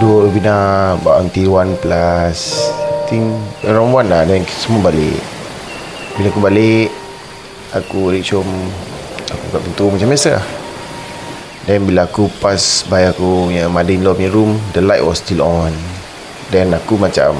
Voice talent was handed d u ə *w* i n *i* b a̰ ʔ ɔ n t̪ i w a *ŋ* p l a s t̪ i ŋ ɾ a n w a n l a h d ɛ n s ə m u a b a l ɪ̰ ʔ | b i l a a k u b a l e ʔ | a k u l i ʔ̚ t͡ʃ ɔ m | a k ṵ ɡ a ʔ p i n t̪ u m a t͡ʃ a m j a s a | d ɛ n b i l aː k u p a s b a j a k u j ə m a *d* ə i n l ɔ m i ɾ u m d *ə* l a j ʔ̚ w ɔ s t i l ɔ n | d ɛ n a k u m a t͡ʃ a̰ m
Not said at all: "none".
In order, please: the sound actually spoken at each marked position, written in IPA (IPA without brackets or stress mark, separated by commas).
b, a, n, d, ə